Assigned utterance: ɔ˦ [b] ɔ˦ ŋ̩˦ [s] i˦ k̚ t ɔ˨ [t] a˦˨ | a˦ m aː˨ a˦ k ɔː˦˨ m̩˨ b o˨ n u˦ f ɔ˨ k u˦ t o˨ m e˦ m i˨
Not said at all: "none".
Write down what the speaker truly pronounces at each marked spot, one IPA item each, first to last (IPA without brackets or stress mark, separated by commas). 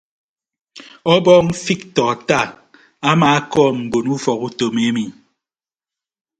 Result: b, f, t